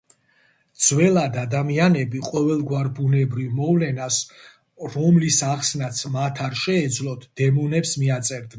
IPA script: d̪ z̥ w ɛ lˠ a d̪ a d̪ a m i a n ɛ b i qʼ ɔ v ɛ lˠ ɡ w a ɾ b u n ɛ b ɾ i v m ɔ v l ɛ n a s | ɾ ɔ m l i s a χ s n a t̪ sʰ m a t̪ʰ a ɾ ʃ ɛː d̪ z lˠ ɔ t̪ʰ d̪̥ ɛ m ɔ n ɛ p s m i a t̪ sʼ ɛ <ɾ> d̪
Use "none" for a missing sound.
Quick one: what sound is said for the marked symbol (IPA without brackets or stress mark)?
ɾ